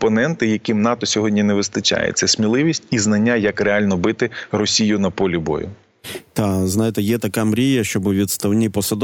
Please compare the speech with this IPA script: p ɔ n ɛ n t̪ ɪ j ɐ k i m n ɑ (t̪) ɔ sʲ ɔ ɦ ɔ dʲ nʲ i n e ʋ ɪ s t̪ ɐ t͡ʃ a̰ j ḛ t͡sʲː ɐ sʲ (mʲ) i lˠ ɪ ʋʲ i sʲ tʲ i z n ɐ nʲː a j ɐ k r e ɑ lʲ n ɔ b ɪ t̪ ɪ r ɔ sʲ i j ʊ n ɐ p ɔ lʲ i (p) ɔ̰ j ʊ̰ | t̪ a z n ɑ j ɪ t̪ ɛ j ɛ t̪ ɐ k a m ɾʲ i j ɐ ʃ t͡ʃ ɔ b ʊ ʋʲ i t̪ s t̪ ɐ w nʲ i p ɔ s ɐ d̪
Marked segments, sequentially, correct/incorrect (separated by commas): correct, correct, incorrect